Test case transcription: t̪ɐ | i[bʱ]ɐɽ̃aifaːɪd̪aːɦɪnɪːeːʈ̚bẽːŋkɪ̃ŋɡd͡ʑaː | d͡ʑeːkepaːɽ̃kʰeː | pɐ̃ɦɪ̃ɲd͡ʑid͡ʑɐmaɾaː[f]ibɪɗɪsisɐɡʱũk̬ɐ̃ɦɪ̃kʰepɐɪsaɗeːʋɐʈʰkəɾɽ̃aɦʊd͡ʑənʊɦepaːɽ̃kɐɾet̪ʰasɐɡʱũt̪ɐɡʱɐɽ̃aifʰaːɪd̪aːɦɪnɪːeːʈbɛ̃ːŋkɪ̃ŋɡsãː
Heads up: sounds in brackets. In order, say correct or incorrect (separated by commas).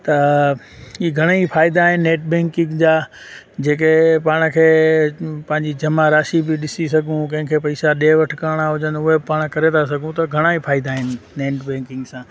incorrect, incorrect